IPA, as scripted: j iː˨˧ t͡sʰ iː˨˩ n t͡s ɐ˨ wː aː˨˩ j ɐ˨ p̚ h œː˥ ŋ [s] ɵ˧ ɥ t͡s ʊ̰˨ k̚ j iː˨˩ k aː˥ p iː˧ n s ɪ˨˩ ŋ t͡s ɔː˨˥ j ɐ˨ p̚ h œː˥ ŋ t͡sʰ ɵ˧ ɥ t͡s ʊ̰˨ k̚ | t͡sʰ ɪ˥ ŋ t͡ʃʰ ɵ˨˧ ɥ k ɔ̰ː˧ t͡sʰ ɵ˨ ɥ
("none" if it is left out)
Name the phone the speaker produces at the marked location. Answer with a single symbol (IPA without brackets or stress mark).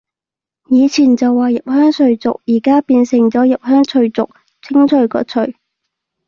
s